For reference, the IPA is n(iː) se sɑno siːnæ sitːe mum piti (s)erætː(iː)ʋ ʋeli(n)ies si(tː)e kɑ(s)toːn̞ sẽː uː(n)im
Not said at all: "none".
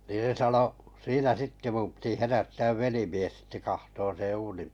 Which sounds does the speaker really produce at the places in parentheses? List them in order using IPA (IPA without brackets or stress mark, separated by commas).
iː, h, æː, m, tː, h, n